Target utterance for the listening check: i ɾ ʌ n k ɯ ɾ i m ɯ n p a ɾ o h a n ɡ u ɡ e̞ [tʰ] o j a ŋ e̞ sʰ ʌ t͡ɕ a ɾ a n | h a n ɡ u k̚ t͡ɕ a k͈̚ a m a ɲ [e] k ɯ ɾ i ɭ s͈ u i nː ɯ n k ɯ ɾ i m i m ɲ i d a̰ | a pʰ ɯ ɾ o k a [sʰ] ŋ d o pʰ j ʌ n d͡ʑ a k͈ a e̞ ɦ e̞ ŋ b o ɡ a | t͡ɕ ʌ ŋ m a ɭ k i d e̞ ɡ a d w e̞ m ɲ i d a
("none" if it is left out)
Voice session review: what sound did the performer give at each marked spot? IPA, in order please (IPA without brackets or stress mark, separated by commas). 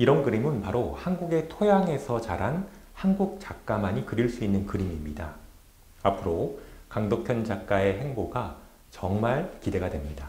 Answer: tʰ, i, none